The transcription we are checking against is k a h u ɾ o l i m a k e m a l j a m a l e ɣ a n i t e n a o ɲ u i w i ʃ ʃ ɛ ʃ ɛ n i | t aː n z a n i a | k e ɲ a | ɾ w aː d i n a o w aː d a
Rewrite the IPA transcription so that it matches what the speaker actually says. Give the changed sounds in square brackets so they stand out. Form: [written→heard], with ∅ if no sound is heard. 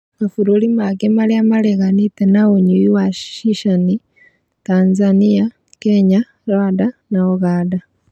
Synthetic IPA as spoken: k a [h→f] u ɾ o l i m a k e m a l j a m a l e ɣ a n i t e n a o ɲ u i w [i→a] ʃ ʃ [ɛ→i] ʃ [ɛ→a] n i | t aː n z a n i a | k e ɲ a | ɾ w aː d [i→a] n a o [w→ɣ] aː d a

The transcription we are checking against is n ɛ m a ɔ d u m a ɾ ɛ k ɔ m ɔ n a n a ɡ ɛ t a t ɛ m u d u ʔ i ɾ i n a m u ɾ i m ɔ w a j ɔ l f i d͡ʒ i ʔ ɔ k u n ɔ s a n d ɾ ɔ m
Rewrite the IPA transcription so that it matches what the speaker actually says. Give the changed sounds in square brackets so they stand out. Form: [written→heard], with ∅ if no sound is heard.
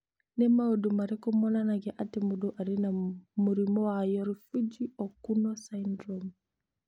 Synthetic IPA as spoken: n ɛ m a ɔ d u m a ɾ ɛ k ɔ m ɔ n a n a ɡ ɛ [t→ʔ] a t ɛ m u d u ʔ [i→a] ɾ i n a m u ɾ i m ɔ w a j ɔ [l→ɾ] f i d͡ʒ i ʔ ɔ k u n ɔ s a n d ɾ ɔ m

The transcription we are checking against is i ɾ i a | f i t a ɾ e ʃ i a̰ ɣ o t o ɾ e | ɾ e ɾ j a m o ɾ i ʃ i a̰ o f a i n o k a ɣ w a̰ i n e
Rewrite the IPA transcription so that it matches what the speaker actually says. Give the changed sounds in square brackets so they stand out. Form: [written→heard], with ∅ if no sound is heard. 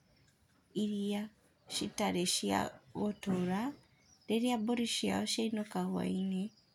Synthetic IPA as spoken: i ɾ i a | [f→ʃ] i t a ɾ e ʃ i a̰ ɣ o t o ɾ [e→a] | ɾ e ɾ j a [m→b] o ɾ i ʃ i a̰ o [f→ʃ] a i n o k a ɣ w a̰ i n e

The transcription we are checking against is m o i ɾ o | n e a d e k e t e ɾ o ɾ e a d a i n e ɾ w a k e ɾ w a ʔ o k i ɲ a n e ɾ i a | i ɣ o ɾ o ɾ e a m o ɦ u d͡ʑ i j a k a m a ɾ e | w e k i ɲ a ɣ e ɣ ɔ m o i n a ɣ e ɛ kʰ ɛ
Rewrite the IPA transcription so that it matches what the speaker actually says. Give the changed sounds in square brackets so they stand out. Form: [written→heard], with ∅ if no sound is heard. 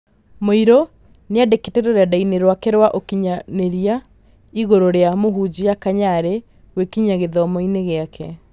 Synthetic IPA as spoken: m o i ɾ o | n e a d e k e t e ɾ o ɾ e a d a i n e ɾ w a k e ɾ w a ʔ o k i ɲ a n e ɾ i a | i ɣ o ɾ o ɾ e a m o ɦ u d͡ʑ i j a k a [m→ɲ] a ɾ e | w e k i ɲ a ɣ e [ɣ→ð] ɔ m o i n [a→e] ɣ e [ɛ→a] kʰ ɛ

